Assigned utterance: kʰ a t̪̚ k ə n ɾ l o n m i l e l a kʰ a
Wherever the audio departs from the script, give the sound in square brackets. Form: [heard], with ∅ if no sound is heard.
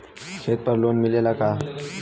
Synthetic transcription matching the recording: kʰ [e] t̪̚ [p] ə [∅] ɾ l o n m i l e l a [k] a